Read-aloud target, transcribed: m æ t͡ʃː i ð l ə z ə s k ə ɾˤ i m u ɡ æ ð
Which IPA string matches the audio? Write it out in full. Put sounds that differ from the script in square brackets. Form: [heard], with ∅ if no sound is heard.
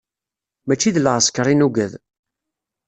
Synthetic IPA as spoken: m æ t͡ʃː i ð l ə [ʁ] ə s k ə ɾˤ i [n] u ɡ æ ð